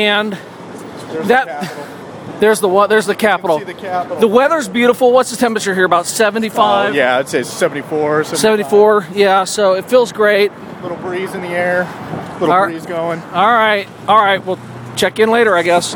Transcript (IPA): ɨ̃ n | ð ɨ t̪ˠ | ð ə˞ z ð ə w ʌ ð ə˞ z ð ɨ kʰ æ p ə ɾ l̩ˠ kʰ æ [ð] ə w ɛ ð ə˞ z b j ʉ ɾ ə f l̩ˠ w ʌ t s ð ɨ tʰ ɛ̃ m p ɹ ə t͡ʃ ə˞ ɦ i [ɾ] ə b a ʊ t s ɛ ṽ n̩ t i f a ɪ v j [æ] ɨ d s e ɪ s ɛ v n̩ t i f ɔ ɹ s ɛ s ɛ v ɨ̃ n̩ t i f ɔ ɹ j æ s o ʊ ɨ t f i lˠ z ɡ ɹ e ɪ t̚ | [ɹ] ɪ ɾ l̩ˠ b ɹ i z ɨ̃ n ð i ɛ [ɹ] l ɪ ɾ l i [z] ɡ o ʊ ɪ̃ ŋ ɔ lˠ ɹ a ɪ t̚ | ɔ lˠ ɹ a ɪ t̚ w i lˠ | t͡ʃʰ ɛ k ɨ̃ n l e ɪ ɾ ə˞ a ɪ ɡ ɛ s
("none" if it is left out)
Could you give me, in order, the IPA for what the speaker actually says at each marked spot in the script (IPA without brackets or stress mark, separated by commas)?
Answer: ð, ɹ, æ, l, ɹ, z